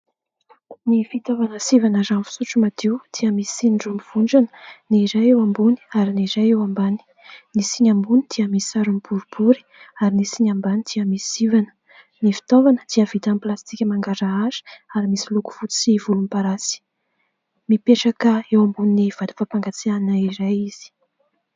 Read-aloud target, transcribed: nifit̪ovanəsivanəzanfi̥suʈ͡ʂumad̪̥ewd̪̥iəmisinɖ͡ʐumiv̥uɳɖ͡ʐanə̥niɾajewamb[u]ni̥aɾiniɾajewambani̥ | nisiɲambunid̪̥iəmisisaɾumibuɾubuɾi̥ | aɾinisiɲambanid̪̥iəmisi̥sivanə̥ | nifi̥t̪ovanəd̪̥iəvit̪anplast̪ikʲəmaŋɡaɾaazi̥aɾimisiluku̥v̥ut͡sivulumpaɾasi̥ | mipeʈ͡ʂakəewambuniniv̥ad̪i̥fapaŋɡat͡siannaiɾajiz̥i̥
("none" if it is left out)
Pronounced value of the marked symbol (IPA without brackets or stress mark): u